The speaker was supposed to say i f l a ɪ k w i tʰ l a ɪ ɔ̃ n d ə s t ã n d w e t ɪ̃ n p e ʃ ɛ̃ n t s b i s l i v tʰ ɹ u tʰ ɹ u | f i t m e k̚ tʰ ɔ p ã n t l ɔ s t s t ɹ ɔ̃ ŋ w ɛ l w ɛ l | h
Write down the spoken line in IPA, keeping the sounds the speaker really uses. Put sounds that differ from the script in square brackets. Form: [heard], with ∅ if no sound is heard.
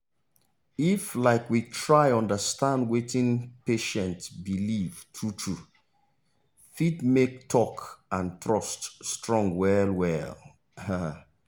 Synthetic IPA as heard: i f l a ɪ k w i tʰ [ɹ] a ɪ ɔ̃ n d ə s t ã n d w e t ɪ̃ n p e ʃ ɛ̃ n t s b i [∅] l i v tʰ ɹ u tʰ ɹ u | f i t m e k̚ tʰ ɔ [k] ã n t [ɹ] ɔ s t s t ɹ ɔ̃ ŋ w ɛ l w ɛ l | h